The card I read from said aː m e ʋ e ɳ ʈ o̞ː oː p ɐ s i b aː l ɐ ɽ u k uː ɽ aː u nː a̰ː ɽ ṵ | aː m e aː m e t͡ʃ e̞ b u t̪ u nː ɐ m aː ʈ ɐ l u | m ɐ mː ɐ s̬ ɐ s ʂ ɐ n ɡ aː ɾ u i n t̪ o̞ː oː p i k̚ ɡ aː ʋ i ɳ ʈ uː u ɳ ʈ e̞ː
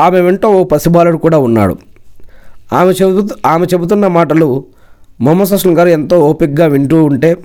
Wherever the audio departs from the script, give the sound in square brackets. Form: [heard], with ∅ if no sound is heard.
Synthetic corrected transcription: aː m e ʋ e ɳ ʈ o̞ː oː p ɐ s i b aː l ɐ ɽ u k uː ɽ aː u nː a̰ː ɽ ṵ | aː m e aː m e t͡ʃ e̞ b u t̪ u nː ɐ m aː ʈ ɐ l u | m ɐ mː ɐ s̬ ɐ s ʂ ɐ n ɡ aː ɾ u [e] n t̪ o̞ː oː p i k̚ ɡ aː ʋ i ɳ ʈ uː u ɳ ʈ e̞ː